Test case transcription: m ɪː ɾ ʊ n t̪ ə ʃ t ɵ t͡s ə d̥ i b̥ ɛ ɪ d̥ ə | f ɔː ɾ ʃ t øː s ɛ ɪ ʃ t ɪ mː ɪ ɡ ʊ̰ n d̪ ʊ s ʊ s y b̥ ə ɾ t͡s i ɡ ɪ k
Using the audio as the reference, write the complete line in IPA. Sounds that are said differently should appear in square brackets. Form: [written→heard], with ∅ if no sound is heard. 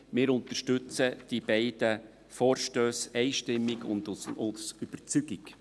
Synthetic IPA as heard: m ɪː ɾ ʊ n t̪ ə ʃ t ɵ t͡s ə d̥ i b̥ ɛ ɪ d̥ ə | f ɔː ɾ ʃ t øː s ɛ ɪ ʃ t ɪ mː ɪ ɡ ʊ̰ n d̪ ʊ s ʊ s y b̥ ə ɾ t͡s [i→y] ɡ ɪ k